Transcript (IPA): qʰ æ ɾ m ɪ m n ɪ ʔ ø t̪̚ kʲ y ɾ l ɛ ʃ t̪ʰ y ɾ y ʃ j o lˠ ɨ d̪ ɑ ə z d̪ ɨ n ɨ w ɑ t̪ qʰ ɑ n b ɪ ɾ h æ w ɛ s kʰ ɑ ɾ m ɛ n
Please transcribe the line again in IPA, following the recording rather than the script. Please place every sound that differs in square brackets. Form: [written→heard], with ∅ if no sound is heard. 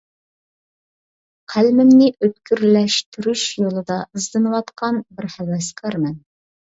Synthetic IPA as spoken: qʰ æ [ɾ→l] m ɪ m n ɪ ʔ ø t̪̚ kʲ y ɾ l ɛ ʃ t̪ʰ y ɾ y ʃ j o lˠ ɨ d̪ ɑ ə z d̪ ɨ n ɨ w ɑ t̪ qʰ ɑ n b ɪ ɾ h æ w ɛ s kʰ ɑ ɾ m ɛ n